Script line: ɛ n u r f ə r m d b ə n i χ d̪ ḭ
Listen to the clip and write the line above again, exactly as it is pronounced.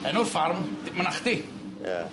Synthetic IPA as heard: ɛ n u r f a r m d m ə n a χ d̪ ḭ